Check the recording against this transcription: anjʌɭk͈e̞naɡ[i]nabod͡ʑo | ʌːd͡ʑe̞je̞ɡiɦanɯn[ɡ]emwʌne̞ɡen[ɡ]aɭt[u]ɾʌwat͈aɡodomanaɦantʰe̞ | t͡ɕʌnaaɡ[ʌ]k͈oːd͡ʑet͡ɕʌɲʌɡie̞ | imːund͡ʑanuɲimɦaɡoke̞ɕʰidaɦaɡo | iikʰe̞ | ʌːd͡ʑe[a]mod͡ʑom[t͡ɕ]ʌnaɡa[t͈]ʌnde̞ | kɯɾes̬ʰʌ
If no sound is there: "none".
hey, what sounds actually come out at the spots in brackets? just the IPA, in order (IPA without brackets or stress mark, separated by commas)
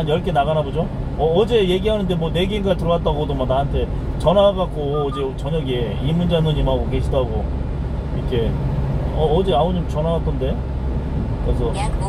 a, d, ɡ, ɯ, a, a, t͡ɕ, t͈